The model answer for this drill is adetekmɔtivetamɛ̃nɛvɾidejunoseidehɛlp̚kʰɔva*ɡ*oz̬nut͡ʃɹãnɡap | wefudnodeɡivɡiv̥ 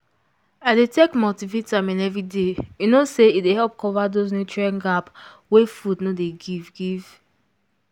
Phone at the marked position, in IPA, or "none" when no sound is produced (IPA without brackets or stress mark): d